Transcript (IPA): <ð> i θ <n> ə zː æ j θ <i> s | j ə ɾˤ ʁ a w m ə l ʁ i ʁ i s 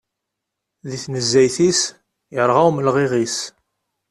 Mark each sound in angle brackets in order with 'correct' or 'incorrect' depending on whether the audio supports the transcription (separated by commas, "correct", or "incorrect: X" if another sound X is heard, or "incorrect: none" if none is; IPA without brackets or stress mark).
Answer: correct, correct, correct